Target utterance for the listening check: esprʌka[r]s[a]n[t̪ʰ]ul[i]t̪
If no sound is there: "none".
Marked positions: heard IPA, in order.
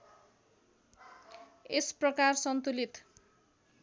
r, ʌ, t̪, i

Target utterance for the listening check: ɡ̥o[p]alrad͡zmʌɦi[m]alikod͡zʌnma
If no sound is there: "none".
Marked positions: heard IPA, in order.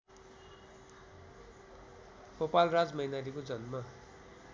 p, n

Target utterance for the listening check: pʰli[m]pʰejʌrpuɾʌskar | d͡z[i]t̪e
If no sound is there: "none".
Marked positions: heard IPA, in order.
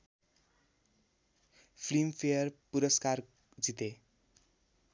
m, i

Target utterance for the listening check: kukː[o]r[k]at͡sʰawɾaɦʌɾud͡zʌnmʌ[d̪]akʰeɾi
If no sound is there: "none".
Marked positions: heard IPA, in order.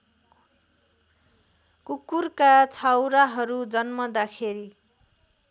u, k, d̪

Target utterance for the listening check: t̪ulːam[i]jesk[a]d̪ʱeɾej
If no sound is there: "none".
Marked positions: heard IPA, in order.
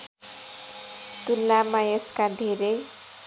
a, a

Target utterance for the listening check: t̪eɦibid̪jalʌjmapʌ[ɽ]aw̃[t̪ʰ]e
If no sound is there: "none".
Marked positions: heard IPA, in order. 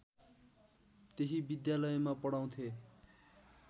ɽ, t̪ʰ

